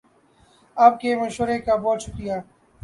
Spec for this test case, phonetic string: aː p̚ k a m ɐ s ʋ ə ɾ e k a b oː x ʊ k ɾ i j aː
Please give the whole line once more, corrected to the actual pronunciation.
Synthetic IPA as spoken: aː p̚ k e m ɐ ʃ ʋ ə ɾ e k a b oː ʃ ʊ k ɾ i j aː